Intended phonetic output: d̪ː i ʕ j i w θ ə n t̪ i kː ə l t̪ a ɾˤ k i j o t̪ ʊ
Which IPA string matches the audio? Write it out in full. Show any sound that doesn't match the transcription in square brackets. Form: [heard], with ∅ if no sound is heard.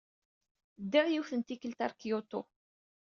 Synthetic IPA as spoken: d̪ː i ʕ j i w θ ə n t̪ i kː ə l t̪ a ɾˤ k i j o t̪ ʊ